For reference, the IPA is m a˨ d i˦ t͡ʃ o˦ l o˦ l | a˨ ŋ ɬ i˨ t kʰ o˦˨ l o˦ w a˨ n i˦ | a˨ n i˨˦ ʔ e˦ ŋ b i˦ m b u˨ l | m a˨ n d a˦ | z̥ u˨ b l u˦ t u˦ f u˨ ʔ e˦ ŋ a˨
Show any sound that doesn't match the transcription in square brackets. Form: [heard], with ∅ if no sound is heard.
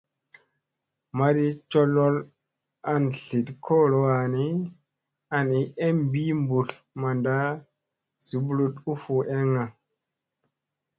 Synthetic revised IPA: m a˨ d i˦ t͡ʃ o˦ l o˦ l | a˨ [n] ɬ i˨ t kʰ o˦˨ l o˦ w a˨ n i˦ | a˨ n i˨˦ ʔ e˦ [m] b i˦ m b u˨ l | m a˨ n d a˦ | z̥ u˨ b l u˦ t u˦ f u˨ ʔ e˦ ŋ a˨